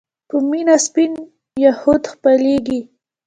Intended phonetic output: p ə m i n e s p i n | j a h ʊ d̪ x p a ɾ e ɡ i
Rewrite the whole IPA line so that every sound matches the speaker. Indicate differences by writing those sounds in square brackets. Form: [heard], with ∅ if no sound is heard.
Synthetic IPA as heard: p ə m i n [a] s p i n | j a h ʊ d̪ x p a [l] e ɡ i